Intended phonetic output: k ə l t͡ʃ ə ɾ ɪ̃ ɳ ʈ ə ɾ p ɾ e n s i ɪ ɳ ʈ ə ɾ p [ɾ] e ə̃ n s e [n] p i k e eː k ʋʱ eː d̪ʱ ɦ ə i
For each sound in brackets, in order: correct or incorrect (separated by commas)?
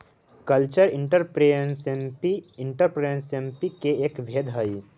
correct, incorrect